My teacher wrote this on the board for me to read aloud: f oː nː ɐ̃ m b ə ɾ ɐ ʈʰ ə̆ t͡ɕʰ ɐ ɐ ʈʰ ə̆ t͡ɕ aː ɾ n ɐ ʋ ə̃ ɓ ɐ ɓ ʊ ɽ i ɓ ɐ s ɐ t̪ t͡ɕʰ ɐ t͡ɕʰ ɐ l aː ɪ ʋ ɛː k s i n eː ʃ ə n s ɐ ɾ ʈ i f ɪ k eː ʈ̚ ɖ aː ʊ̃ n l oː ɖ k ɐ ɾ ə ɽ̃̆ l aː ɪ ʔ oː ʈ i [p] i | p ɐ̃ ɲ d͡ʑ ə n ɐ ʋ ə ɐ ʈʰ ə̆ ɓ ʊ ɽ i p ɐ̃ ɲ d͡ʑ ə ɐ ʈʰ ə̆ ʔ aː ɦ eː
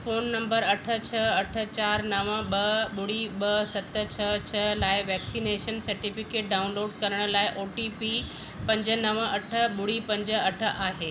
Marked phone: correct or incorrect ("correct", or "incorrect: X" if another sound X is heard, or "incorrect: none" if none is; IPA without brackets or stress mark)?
correct